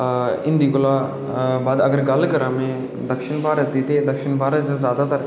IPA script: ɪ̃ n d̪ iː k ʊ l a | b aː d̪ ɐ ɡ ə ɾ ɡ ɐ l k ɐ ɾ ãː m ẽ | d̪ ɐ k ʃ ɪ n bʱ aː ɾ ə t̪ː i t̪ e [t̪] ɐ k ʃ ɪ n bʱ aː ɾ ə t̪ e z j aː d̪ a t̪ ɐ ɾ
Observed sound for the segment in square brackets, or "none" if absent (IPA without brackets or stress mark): d̪